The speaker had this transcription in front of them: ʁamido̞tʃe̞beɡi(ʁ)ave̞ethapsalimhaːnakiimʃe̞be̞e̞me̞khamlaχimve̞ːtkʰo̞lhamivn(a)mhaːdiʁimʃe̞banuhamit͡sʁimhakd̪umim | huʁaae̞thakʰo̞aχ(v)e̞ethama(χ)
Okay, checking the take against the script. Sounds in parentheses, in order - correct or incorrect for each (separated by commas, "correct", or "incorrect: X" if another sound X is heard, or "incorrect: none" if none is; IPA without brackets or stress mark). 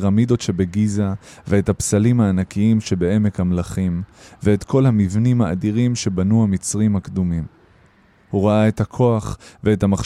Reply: incorrect: z, incorrect: i, correct, correct